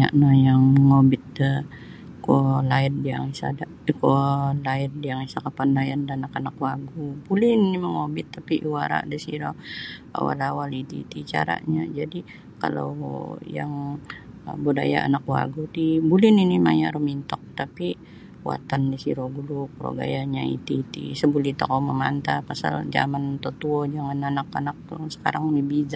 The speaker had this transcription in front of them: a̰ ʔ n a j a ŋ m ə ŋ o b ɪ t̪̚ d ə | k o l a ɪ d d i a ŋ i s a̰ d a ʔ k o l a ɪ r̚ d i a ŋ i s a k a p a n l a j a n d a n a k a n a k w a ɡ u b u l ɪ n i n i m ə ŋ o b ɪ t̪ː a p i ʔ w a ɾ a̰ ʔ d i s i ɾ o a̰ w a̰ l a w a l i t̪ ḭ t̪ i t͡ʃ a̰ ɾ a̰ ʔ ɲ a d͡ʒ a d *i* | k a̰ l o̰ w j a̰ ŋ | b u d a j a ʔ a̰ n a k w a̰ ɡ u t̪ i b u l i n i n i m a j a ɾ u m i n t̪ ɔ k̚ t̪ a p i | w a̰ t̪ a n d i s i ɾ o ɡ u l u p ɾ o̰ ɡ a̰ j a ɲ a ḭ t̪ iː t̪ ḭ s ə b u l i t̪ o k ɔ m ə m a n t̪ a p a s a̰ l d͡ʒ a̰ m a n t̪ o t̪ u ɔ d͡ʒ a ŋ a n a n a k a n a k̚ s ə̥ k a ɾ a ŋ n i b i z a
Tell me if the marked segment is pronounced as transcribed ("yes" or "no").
yes